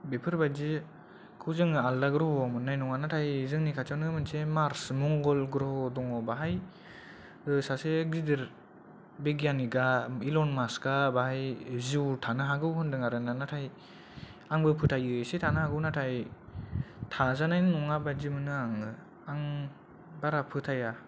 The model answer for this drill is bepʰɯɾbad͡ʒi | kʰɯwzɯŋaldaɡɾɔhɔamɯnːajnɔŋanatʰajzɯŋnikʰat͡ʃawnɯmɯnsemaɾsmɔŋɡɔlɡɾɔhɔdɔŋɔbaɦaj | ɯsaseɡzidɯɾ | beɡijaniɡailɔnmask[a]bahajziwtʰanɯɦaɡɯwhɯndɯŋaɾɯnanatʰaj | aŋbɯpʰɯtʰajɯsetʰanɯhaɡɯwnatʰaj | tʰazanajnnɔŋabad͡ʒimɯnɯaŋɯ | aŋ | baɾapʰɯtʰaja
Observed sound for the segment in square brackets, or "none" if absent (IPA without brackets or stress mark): a